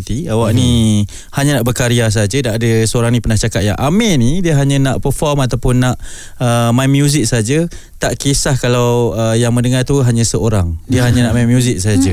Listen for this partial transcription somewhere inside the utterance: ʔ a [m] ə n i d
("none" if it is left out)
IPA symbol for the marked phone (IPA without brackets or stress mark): m